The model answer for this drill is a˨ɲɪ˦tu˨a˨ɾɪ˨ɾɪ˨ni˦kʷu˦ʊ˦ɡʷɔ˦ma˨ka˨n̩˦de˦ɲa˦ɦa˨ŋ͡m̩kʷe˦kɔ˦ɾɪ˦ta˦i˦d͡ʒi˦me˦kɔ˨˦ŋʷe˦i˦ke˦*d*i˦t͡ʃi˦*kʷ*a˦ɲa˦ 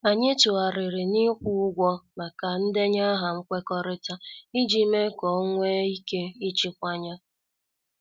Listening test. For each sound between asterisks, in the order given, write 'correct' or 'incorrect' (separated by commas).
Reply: incorrect, correct